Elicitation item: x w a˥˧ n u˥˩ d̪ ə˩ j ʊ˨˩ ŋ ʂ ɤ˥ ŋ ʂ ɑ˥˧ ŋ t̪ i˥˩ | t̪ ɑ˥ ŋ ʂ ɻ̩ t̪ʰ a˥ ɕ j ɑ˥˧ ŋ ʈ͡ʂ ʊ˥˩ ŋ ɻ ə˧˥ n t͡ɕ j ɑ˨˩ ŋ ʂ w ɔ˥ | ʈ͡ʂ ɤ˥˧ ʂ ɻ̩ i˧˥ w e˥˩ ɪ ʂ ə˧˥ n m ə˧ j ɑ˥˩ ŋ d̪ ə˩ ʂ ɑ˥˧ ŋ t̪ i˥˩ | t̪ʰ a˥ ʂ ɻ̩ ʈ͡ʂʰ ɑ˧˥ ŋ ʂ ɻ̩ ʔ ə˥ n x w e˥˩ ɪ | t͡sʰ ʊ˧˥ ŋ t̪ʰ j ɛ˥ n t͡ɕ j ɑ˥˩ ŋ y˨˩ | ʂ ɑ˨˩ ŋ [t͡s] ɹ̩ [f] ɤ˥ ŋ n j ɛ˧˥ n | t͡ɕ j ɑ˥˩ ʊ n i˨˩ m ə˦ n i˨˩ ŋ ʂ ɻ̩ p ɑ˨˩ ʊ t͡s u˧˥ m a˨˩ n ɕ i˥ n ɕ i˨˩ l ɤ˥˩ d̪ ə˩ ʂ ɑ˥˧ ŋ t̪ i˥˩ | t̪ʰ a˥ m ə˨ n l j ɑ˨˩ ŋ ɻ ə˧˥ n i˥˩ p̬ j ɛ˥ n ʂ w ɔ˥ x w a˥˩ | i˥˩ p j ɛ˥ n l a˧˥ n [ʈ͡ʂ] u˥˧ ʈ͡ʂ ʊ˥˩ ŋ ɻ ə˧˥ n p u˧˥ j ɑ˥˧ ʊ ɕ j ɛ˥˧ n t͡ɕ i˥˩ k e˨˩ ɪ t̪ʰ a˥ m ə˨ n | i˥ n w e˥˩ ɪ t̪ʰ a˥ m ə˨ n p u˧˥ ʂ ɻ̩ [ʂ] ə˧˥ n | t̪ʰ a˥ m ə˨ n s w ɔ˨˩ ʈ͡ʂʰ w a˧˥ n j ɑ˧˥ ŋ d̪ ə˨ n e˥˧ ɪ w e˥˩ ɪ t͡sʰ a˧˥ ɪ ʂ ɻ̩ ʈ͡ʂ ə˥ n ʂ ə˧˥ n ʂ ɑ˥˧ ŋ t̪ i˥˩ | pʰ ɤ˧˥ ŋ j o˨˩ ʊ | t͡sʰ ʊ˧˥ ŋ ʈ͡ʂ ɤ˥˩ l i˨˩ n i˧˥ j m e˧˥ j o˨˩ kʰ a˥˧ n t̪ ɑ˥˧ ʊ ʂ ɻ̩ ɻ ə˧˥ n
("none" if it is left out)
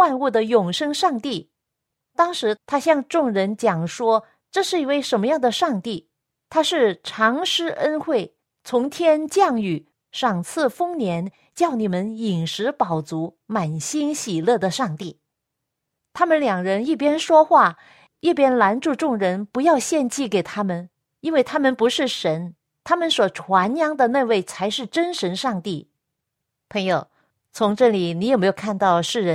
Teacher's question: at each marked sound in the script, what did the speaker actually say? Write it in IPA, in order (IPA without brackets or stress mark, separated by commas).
t͡sʰ, f, ʈ͡ʂ, ʂ